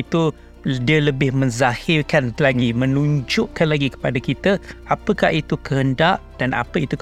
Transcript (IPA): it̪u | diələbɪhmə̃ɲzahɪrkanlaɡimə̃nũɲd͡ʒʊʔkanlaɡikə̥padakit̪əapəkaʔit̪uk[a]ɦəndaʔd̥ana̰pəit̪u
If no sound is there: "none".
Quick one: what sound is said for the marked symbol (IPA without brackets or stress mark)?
ə